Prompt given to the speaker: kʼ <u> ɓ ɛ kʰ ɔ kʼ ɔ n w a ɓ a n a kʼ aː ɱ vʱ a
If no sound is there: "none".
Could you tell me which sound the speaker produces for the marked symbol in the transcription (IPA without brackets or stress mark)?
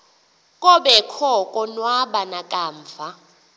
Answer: ɔ